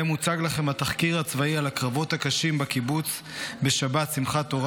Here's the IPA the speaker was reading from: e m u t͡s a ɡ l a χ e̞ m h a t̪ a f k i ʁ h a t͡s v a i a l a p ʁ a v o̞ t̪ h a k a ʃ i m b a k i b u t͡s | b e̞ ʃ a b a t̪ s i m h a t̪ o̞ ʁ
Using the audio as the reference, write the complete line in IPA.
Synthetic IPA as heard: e m u t͡s a ɡ l a χ e̞ m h a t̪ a χ k i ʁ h a t͡s v a i a l a k ʁ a v o̞ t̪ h a k a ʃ i m b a k i b u t͡s | b e̞ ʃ a b a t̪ s i m χ a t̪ o̞ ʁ